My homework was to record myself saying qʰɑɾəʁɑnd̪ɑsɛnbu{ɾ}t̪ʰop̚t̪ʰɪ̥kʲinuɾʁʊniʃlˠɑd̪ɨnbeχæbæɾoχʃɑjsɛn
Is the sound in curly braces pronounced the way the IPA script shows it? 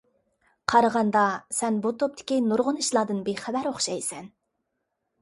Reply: no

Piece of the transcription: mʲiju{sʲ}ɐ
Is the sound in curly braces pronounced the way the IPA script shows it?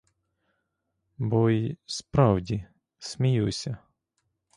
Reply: yes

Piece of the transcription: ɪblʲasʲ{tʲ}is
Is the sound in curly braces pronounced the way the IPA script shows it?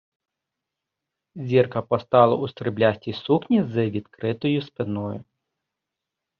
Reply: yes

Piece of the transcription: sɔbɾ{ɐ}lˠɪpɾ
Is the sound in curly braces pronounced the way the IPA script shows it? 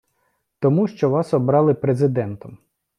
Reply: no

